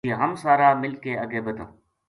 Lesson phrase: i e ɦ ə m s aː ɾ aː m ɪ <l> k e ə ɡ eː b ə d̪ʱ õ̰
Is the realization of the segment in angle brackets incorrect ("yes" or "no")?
no